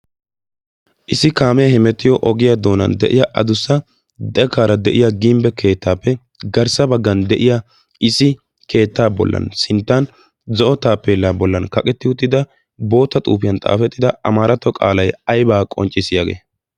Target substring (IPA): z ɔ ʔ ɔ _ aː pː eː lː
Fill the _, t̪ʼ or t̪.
t̪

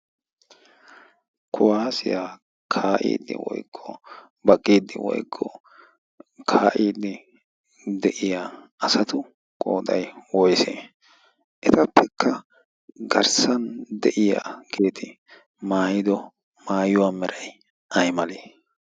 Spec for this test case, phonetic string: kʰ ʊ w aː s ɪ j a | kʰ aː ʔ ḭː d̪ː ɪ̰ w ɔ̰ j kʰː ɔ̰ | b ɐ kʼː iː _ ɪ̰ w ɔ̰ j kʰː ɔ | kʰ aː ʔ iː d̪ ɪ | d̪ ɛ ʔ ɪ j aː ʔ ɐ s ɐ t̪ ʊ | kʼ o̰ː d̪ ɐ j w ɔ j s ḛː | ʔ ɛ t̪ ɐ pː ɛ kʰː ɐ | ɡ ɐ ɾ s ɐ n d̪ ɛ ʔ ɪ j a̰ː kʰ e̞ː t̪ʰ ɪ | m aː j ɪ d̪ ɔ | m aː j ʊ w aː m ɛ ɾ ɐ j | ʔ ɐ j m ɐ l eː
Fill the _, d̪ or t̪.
d̪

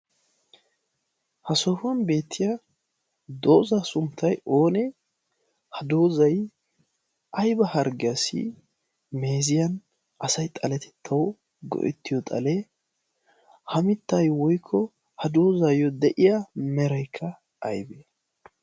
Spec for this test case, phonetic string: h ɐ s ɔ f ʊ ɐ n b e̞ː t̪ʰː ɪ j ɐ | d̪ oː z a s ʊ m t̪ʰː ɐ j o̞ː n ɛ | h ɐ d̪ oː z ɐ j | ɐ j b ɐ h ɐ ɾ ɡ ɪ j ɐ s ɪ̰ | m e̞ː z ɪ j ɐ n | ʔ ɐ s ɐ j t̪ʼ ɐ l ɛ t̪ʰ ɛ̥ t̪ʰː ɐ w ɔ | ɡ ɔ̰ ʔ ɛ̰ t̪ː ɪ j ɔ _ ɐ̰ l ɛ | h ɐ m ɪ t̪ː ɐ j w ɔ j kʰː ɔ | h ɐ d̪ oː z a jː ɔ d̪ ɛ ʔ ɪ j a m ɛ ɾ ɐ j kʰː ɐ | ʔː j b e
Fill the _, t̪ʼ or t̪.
t̪ʼ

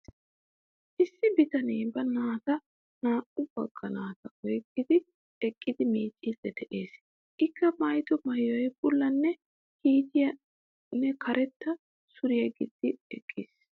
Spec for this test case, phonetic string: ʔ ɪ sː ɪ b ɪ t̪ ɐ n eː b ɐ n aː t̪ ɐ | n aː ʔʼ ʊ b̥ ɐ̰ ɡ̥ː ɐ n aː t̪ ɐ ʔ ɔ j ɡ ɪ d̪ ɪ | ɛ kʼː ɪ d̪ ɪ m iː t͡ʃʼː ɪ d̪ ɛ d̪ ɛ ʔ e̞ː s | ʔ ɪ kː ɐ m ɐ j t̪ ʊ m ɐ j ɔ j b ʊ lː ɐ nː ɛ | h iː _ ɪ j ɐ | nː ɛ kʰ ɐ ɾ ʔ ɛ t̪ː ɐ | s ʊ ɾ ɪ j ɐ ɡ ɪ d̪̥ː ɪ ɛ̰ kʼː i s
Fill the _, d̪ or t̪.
t̪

